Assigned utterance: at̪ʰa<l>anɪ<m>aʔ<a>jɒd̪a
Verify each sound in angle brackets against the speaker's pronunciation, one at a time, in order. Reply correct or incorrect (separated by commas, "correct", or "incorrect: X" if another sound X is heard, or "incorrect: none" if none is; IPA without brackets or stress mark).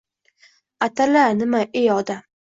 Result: correct, correct, incorrect: e